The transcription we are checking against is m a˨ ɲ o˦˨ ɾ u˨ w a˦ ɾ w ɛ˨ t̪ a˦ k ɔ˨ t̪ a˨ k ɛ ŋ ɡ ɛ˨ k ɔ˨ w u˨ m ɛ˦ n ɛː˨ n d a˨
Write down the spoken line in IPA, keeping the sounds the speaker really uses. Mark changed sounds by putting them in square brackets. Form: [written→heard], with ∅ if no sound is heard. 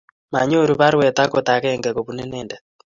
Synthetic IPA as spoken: m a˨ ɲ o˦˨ ɾ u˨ [w→β] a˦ ɾ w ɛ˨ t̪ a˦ k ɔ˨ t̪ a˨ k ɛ ŋ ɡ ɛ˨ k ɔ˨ [w→β] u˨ [m→n] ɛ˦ n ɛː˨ n d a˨